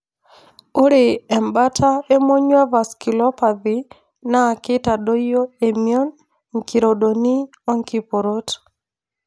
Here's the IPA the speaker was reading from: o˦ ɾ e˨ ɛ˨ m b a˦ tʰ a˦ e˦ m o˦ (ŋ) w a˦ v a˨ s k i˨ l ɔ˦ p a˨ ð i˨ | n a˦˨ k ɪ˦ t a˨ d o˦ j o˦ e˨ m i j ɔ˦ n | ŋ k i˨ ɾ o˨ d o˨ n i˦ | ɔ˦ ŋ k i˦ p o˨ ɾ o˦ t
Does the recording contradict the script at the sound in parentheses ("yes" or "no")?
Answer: yes